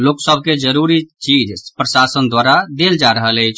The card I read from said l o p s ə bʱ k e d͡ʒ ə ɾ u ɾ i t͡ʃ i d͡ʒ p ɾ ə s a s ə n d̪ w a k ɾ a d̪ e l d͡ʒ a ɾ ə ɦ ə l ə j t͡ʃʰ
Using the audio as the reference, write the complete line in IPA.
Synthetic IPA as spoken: l o k s ə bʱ k e d͡ʒ ə ɾ u ɾ i t͡ʃ i d͡ʒ p ɾ ə s a s ə n d̪ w a ɾ a d̪ e l d͡ʒ a ɾ ə ɦ ə l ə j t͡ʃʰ